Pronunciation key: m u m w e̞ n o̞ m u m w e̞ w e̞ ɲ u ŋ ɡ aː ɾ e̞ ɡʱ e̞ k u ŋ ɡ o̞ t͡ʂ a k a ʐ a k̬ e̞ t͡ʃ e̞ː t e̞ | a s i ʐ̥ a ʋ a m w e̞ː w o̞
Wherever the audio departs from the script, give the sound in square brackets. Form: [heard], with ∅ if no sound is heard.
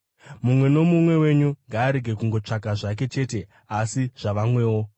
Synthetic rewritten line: m u m w e̞ n o̞ m u m w e̞ w e̞ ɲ u ŋ ɡ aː ɾ e̞ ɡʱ e̞ k u ŋ ɡ o̞ t͡ʂ a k a ʐ a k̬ e̞ t͡ʃ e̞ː t e̞ | a s i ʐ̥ a ʋ a m w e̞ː w o̞